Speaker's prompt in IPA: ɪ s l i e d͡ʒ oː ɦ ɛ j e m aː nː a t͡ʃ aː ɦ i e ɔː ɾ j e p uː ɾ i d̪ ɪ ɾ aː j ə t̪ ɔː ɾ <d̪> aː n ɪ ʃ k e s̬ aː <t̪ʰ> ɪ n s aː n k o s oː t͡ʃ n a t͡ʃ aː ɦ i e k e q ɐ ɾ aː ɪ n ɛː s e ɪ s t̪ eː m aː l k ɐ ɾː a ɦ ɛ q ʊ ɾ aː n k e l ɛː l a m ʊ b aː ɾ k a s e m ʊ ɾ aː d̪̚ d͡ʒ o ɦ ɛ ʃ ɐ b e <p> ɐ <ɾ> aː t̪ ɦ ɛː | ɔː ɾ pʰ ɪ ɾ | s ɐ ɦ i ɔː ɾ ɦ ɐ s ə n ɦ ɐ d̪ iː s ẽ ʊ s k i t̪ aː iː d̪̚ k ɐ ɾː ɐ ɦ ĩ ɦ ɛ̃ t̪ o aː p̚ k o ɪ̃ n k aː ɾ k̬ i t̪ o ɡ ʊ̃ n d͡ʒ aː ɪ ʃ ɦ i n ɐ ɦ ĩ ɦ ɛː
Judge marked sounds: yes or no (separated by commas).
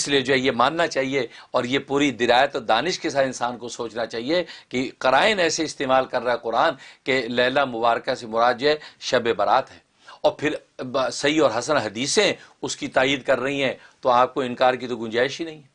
yes, no, no, yes